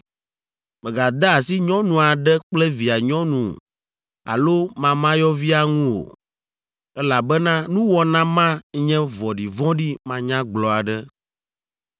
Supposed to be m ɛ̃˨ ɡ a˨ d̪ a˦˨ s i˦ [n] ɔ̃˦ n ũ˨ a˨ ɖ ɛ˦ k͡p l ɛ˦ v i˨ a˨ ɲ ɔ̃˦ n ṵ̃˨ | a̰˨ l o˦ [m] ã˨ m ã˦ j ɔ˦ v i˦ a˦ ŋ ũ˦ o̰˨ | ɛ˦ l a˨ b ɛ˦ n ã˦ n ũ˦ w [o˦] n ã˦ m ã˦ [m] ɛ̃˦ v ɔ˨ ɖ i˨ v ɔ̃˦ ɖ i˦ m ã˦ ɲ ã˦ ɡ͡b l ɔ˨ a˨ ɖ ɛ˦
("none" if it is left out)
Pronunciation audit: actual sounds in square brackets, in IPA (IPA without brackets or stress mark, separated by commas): ɲ, m, ɔ˦, ɲ